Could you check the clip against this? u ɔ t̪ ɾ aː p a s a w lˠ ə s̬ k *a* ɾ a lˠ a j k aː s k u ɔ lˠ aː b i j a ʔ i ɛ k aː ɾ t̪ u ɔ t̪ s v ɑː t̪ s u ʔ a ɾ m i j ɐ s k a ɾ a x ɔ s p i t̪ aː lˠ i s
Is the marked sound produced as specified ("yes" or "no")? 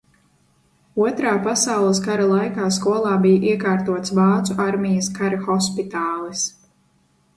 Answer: yes